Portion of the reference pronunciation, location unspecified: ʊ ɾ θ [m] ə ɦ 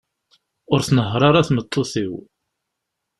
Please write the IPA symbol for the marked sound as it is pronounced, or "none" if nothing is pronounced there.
n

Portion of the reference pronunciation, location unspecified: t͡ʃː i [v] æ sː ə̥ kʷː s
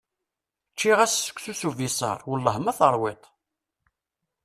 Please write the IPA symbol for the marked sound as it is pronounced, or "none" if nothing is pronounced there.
ʁ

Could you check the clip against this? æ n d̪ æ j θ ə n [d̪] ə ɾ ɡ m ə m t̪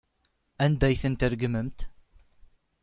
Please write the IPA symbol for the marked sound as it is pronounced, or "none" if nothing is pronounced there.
t̪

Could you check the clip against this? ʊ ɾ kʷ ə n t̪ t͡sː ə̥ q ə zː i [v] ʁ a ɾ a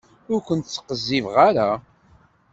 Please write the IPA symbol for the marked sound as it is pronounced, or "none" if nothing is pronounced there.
v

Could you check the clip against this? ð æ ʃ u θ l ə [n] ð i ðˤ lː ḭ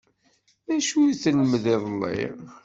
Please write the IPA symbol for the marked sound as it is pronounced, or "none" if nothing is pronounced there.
m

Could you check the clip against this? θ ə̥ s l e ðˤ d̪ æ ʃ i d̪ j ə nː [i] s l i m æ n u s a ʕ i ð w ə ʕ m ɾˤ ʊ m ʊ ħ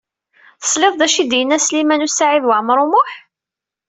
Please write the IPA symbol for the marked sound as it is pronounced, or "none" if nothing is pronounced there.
æ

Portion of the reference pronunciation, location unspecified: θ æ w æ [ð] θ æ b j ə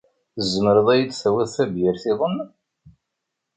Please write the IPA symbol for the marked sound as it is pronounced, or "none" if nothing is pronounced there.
ð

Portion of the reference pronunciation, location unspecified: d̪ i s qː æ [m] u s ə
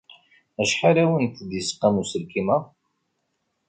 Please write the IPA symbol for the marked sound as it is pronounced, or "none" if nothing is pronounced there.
m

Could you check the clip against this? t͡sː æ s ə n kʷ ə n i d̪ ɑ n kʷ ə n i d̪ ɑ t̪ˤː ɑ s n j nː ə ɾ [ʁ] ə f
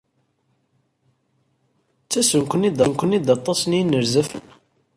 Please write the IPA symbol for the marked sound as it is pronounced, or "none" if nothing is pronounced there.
z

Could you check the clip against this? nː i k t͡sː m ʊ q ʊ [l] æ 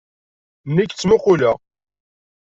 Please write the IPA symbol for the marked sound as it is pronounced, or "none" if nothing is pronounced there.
l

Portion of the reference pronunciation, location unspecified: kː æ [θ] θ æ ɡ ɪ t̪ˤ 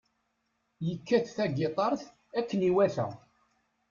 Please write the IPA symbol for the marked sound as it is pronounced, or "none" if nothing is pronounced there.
θ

